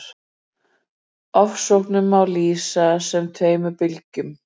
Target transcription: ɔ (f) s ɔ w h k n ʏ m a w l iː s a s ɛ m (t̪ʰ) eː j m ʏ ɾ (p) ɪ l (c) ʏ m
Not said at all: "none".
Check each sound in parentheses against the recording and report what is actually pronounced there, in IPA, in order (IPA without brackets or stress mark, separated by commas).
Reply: f, t̪ʰ, p, c